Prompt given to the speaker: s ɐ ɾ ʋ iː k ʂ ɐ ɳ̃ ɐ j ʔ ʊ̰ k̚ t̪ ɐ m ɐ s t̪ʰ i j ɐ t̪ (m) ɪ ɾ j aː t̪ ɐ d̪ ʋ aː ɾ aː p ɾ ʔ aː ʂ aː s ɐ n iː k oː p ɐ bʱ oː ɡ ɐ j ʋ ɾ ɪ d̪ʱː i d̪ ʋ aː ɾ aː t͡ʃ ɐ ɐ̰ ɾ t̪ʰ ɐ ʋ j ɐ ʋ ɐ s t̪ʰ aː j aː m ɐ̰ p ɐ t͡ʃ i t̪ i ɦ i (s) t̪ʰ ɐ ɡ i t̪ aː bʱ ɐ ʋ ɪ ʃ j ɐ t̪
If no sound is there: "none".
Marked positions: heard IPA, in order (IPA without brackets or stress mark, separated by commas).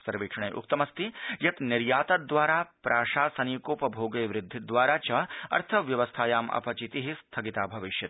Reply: n, s